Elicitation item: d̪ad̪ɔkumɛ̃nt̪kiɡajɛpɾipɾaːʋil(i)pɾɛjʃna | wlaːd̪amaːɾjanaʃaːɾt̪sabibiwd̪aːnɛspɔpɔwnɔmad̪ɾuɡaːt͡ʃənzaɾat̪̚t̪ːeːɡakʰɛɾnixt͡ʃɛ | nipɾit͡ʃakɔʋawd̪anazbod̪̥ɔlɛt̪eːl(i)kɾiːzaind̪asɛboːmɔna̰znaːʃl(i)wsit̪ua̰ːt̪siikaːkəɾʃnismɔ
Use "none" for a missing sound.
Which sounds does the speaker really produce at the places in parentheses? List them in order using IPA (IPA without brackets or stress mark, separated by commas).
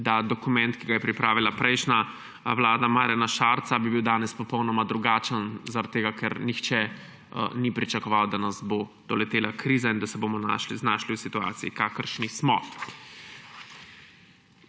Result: a, a, i